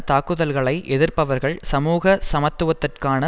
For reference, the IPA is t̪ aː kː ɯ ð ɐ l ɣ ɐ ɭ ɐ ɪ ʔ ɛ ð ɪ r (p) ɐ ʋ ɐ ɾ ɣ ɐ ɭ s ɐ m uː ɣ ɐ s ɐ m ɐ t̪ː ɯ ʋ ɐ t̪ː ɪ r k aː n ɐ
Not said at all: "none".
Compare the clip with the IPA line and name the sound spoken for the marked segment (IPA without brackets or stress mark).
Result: p